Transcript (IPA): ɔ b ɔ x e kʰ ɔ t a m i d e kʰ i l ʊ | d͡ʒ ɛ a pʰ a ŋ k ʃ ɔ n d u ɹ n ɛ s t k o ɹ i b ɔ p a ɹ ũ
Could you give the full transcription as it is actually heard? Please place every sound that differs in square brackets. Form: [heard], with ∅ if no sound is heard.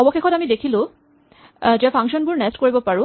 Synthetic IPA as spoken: ɔ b ɔ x e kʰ ɔ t a m i d e kʰ i l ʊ | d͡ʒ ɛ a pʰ a ŋ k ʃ ɔ n [b] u ɹ n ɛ s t k o ɹ i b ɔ p a ɹ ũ